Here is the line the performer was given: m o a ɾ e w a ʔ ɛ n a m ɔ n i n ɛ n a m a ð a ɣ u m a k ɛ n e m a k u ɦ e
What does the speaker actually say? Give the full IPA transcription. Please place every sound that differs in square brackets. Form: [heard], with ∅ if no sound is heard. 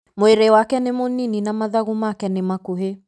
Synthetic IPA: m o [e] ɾ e w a [k] ɛ n [e] m [o] n i n [i] n a m a ð a ɣ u m a k ɛ n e m a k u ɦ e